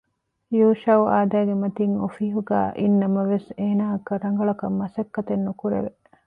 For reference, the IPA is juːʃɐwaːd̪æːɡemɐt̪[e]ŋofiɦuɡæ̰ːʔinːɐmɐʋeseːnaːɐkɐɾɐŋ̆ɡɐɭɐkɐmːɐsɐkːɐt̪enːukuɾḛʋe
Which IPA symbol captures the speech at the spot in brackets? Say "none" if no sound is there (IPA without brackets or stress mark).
i